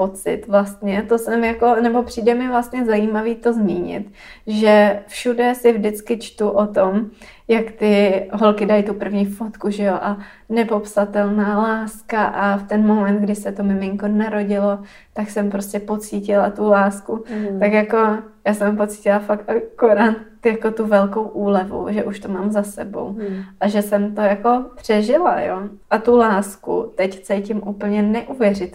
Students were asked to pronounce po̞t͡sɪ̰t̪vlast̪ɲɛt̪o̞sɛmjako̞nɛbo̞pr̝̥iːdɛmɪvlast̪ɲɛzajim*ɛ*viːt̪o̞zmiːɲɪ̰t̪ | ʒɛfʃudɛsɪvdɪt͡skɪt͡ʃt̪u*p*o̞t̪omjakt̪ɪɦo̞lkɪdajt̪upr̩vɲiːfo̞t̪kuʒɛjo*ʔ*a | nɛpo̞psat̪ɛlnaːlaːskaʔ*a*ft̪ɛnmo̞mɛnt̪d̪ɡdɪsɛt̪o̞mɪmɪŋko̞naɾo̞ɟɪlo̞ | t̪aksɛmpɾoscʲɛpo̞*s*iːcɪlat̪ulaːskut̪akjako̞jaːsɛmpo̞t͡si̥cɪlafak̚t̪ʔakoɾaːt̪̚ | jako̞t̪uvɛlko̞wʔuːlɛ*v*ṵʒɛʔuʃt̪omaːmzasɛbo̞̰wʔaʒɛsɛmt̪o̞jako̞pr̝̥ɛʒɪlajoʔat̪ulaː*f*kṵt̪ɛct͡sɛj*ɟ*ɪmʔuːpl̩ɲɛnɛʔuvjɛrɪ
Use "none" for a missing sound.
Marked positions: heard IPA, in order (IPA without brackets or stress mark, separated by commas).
a, ʔ, ʔ, a, t͡s, v, s, c